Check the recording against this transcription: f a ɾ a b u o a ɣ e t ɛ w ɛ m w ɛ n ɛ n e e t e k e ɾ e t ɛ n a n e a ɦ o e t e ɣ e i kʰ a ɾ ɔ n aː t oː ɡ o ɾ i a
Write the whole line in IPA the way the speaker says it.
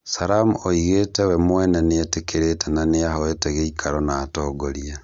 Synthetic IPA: s a ɾ a m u o i ɣ e t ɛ w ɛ m w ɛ n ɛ n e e t e k e ɾ e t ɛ n a n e a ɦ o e t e ɣ e i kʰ a ɾ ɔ n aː t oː ɡ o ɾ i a

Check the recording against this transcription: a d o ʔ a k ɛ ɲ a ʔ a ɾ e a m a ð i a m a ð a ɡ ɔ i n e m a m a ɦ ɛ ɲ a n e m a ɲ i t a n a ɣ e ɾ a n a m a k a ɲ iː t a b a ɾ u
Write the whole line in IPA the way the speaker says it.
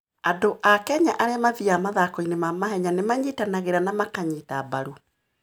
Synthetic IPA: a d o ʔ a k ɛ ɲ a ʔ a ɾ e a m a ð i a m a ð a k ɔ i n e m a m a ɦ ɛ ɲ a n e m a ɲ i t a n a ɣ e ɾ a n a m a k a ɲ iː t a b a ɾ u

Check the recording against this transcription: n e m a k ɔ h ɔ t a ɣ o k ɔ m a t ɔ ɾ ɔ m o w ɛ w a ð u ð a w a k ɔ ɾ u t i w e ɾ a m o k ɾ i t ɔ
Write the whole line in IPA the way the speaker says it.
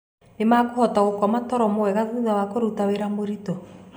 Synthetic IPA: n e m a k o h ɔ t a ɣ o k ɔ m a t ɔ ɾ ɔ m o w ɛ ɣ a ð u ð a w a k o ɾ u t a w e ɾ a m o ɾ i t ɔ

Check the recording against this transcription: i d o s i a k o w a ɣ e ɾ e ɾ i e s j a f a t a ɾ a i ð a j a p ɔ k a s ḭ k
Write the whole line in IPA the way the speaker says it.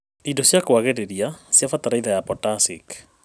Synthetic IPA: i d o s j a k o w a ɣ e ɾ e ɾ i a s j a f a t a ɾ a i ð a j a p ɔ t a s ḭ k

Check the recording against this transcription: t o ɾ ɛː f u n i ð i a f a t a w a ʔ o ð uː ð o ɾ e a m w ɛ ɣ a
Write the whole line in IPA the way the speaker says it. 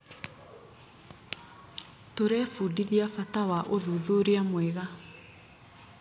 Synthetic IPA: t o ɾ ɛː f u d i ð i a f a t a w a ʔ o ð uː ð o ɾ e a m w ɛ ɣ a

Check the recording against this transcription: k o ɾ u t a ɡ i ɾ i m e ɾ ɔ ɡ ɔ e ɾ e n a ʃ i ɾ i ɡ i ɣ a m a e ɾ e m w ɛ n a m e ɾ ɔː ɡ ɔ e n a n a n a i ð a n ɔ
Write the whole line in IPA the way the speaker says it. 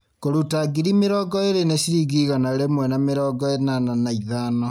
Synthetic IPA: k o ɾ u t a ɡ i ɾ i m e ɾ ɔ ɡ ɔ e ɾ e n e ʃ i ɾ i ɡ i ɣ a n a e ɾ e m w ɛ n a m e ɾ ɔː ɡ ɔ e n a n a n a i ð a n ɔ

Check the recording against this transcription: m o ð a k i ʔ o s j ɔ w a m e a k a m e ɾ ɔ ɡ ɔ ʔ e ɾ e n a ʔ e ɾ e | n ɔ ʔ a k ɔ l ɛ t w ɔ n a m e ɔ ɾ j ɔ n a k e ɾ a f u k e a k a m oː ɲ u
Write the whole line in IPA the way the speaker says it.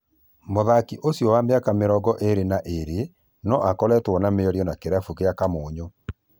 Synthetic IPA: m o ð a k i ʔ o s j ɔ w a m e a k a m e ɾ ɔ ɡ ɔ ʔ e ɾ e n a ʔ e ɾ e | n ɔ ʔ a k ɔ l ɛ t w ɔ n a m e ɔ ɾ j ɔ n a k e ɾ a f u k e a k a m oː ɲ o

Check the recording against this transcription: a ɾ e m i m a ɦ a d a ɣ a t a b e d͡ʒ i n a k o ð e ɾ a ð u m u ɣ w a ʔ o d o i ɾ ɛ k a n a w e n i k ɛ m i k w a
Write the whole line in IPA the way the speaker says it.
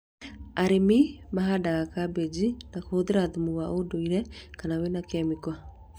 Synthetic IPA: a ɾ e m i m a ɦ a d a ɣ a k a b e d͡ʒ i n a k o ð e ɾ a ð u m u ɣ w a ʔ o d o i ɾ ɛ k a n a w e n a k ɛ m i k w a

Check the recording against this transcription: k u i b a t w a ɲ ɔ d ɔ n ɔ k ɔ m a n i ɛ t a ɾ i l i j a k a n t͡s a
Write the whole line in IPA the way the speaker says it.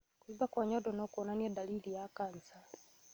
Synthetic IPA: k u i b a k w a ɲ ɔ d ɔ n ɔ k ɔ n a n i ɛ d a l i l i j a k a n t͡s a

